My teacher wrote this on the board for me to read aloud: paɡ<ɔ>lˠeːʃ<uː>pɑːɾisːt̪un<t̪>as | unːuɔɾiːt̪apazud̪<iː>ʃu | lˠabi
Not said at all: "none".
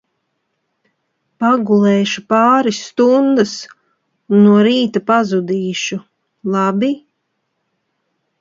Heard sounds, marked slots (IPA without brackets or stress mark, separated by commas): u, u, d̪, iː